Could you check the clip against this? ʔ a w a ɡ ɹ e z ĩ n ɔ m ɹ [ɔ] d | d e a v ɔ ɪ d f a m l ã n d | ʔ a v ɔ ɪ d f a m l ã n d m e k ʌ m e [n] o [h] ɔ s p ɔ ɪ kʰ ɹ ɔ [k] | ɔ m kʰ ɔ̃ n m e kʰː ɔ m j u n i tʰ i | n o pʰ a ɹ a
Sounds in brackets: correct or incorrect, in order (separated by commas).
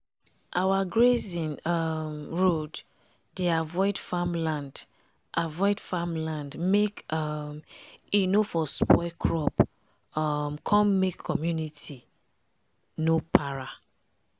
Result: incorrect, correct, incorrect, incorrect